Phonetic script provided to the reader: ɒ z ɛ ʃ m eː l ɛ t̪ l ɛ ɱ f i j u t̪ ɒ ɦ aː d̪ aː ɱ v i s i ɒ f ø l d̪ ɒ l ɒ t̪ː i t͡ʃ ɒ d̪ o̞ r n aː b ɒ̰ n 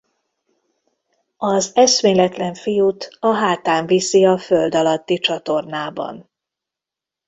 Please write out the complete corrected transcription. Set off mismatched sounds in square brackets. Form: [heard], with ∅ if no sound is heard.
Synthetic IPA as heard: ɒ z ɛ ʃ m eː l ɛ t̪ l ɛ ɱ f i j u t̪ ɒ ɦ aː [t̪] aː ɱ v i s i ɒ f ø l d̪ ɒ l ɒ t̪ː i t͡ʃ ɒ [t̪] o̞ r n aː b ɒ̰ n